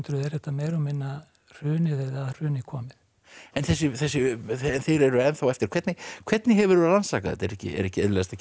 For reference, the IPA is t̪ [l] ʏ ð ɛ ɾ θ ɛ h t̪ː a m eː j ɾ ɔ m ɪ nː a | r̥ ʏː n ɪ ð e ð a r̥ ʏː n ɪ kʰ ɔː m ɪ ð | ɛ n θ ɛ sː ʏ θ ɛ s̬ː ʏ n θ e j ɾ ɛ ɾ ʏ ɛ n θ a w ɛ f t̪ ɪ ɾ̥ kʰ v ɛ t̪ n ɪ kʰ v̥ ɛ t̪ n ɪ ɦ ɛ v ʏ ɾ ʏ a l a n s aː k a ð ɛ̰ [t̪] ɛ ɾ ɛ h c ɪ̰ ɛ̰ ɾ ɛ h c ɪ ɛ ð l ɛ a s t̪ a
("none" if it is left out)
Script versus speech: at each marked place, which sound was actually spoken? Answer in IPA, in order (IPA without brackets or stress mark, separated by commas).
ɾ, t̪